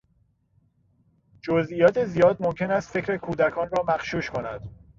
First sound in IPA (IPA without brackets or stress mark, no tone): d͡ʒ